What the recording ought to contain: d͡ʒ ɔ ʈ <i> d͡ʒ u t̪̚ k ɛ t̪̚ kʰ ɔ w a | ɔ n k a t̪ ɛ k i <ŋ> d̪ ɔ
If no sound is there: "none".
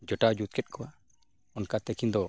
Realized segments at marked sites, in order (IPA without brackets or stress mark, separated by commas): a, n